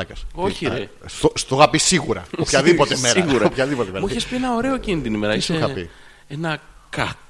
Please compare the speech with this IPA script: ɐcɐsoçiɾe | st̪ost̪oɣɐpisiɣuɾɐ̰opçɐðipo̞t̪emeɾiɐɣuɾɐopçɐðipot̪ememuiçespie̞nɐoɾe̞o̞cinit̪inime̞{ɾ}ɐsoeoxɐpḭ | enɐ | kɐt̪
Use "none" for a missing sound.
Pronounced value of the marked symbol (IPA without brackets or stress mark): ɾ